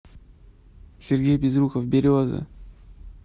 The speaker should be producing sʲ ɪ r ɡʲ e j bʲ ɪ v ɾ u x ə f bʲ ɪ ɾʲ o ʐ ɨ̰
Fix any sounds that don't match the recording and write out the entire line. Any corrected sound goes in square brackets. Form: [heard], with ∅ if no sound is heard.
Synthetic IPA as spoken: sʲ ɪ r ɡʲ e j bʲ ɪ [z] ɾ u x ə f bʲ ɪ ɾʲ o [z] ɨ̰